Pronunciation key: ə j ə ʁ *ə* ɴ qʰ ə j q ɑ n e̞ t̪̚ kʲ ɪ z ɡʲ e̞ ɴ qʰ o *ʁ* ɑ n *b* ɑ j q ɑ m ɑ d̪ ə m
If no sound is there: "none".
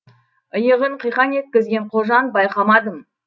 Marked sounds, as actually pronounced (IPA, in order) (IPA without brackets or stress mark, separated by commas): ə, ʒ, b